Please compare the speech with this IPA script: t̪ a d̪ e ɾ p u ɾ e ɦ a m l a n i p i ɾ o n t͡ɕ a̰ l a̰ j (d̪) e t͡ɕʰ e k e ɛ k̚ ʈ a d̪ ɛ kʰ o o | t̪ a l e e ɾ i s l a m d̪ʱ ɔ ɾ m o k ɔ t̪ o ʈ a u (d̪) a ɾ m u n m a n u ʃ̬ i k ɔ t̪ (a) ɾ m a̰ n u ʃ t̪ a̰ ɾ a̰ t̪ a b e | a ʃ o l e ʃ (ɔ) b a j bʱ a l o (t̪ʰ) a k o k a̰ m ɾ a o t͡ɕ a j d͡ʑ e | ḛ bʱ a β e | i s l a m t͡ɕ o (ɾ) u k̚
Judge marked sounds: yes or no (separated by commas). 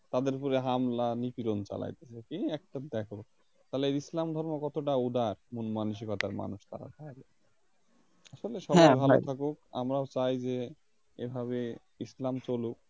no, yes, yes, yes, yes, no